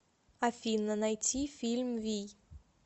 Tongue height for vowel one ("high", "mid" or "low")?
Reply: low